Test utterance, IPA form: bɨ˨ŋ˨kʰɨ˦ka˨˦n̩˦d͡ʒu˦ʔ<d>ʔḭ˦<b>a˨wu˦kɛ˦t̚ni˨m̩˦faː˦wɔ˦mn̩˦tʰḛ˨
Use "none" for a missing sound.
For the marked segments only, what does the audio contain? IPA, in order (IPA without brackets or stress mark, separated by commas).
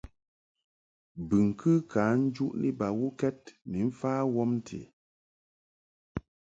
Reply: n, b